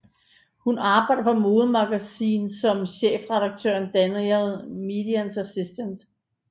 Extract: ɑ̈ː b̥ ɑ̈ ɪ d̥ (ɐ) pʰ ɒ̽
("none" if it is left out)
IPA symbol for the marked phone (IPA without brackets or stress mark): ɐ